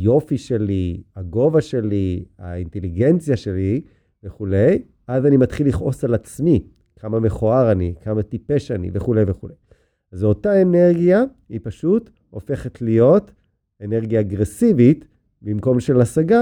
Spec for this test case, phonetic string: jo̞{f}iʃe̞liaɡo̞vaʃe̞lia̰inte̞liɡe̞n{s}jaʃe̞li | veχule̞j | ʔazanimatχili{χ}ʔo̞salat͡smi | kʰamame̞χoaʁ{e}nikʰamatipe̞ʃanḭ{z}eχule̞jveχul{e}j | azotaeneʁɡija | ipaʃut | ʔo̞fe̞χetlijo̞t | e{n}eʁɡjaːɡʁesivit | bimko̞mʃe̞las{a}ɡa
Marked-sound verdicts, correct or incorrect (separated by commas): correct, incorrect, correct, incorrect, incorrect, correct, correct, correct